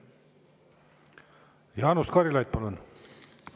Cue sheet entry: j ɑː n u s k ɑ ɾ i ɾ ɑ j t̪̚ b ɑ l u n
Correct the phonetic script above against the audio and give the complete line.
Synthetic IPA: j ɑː n u s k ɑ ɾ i l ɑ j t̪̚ p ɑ l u n